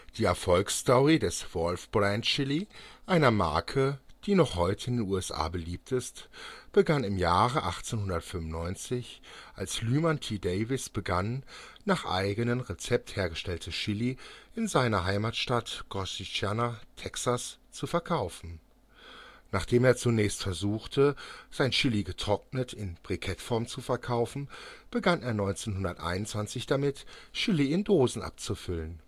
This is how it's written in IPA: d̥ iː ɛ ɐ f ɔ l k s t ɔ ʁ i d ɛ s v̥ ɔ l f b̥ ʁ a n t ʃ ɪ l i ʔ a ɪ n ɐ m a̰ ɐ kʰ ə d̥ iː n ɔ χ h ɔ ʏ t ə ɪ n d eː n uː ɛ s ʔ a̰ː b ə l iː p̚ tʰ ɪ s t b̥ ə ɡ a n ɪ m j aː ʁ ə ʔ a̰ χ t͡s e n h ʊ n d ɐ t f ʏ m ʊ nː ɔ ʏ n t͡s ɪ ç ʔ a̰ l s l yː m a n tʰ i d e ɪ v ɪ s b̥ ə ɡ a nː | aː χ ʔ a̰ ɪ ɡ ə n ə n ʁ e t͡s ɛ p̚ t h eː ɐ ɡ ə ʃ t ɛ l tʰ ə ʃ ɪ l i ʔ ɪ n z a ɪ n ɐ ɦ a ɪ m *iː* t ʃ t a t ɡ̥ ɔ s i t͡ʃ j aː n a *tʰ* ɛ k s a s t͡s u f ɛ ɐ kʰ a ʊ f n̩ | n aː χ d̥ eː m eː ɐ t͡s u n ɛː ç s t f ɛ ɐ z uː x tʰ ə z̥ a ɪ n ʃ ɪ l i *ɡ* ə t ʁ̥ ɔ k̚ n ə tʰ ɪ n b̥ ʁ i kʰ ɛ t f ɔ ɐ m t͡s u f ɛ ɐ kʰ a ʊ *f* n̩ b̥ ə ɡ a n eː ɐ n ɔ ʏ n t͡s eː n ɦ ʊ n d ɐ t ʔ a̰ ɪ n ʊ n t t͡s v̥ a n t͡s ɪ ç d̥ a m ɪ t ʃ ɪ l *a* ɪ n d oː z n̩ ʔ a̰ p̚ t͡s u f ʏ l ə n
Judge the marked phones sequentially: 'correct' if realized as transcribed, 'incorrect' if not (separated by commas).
incorrect, correct, correct, correct, incorrect